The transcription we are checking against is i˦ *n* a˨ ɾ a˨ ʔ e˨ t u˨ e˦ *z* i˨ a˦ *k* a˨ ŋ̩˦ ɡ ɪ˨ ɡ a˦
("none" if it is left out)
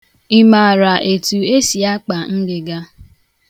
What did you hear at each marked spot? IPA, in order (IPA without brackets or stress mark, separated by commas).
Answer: m, s, k͡p